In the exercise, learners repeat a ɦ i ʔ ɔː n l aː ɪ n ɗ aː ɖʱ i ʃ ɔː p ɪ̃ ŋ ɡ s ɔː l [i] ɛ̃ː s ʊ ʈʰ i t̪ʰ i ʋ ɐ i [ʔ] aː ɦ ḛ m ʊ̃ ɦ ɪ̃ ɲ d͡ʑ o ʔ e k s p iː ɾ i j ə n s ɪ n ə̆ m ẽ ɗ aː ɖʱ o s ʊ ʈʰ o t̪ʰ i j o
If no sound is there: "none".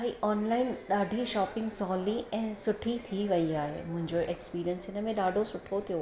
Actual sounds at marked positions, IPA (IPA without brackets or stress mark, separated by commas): i, none